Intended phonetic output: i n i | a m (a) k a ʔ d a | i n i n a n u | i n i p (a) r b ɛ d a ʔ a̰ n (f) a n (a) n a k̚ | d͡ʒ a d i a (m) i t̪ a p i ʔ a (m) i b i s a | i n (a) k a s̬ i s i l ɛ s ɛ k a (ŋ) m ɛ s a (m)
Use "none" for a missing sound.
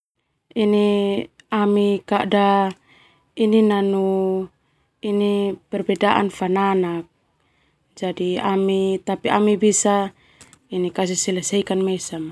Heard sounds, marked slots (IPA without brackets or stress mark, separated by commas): i, ɛ, f, a, m, m, i, n, m